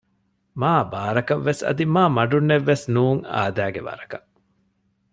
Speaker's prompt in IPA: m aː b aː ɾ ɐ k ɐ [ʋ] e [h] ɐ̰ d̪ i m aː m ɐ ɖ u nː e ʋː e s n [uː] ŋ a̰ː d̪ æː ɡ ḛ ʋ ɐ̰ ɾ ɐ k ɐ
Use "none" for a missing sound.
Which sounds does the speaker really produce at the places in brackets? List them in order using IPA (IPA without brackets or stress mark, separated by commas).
ʋː, s, uː